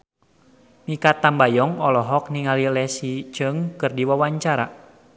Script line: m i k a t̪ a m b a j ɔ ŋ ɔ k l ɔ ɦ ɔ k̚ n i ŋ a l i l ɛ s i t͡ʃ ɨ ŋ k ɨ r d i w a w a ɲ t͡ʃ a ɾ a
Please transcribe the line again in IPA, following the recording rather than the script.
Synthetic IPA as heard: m i k a t̪ a m b a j ɔ ŋ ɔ l ɔ ɦ ɔ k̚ n i ŋ a l i l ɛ s i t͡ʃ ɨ ŋ k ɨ r d i w a w a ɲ t͡ʃ a ɾ a